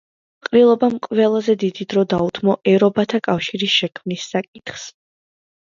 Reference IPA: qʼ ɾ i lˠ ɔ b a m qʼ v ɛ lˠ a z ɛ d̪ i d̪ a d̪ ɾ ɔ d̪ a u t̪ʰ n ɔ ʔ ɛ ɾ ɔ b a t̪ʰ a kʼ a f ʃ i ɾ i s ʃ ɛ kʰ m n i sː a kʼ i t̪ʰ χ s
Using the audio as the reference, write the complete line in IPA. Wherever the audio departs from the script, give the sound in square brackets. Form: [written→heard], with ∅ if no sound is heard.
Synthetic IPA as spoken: qʼ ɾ i lˠ ɔ b a m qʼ v ɛ lˠ a z ɛ d̪ i d̪ [a→i] d̪ ɾ ɔ d̪ a u t̪ʰ [n→m] ɔ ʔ ɛ ɾ ɔ b a t̪ʰ a kʼ a f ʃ i ɾ i s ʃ ɛ kʰ m n i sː a kʼ i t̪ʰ χ s